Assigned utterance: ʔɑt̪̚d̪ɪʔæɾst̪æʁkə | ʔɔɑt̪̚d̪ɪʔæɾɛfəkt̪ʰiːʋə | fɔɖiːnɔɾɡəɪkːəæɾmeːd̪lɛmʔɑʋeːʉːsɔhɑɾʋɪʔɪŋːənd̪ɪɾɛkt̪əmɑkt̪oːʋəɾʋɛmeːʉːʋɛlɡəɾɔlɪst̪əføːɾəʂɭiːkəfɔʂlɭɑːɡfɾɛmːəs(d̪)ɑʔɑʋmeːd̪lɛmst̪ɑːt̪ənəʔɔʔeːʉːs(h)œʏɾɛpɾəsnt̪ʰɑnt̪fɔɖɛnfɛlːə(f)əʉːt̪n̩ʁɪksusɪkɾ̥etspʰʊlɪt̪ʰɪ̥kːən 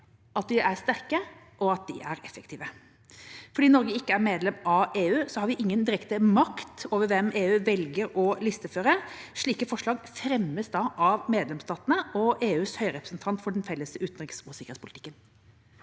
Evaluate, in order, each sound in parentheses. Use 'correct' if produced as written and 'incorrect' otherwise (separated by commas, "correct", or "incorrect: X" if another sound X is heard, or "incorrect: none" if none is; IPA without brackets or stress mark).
correct, correct, incorrect: s